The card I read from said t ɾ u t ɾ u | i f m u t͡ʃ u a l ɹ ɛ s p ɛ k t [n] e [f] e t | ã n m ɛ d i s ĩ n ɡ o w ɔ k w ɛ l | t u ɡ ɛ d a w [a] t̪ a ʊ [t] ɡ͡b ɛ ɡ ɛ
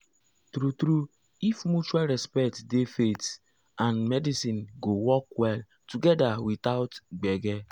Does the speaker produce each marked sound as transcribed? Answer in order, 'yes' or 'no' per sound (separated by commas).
no, yes, no, yes